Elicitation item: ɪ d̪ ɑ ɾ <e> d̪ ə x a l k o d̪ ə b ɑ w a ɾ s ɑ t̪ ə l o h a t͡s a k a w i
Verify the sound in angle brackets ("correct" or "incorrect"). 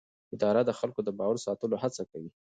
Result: incorrect